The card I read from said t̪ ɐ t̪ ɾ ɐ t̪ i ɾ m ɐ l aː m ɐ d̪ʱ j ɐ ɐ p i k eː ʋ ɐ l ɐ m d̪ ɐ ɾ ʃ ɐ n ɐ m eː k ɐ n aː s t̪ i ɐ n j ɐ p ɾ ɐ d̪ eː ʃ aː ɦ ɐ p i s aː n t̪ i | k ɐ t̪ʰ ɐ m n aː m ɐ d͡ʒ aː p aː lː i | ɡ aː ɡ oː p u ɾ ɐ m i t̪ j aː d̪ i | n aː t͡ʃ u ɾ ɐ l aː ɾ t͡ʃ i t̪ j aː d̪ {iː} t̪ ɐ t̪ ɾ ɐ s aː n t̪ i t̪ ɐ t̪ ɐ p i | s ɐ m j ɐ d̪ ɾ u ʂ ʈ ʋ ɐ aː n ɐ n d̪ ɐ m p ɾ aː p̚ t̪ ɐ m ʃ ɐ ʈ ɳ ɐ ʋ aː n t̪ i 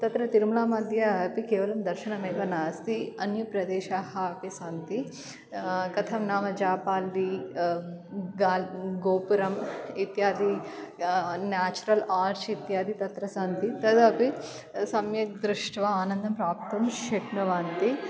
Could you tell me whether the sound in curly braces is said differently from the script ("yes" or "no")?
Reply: yes